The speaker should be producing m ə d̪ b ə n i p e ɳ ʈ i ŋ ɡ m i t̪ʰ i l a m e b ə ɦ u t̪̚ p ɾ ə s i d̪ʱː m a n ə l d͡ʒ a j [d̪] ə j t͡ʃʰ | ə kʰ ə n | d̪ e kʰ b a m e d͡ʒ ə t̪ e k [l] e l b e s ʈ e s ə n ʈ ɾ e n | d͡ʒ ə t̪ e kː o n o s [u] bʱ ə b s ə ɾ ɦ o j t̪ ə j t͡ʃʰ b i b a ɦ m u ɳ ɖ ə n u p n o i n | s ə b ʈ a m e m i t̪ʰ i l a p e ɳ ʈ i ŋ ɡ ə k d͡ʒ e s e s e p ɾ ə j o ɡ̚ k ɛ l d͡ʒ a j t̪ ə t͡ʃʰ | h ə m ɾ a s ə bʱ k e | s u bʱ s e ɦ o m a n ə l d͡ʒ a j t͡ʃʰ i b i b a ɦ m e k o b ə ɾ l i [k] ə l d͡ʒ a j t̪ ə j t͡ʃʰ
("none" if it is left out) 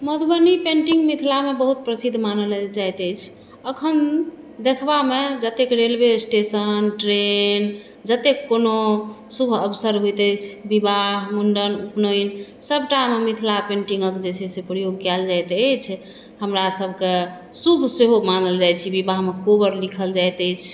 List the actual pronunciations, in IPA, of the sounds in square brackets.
t̪, ɾ, u, kʰ

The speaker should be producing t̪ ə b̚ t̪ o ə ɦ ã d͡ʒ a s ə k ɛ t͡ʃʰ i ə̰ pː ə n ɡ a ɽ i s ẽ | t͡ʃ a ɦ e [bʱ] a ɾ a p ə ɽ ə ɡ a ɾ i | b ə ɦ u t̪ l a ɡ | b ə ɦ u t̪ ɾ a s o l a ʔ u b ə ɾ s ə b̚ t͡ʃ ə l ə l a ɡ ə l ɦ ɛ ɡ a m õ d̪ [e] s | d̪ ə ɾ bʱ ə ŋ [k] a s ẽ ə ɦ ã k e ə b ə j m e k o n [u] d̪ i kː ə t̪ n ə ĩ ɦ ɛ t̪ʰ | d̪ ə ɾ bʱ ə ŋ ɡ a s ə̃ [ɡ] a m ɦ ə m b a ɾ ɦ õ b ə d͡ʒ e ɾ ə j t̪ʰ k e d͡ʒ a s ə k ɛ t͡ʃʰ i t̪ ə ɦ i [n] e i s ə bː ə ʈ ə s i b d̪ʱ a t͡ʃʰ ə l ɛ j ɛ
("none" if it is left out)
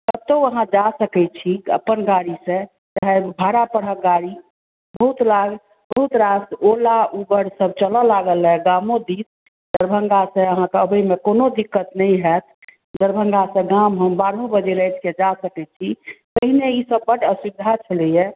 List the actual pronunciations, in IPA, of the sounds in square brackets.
bʱ, i, ɡ, o, ɡ, n

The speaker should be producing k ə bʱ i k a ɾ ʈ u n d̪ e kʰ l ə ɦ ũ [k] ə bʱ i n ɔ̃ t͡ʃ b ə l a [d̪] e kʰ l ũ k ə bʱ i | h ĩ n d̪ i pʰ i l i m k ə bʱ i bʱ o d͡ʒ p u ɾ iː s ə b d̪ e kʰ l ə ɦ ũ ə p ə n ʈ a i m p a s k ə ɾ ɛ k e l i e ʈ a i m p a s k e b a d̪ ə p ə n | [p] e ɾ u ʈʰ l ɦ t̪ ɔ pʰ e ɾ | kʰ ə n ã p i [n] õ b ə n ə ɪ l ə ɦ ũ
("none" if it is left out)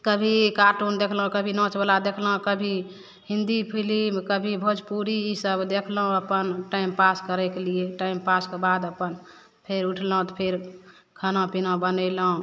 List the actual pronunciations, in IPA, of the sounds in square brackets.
k, d̪, pʰ, n

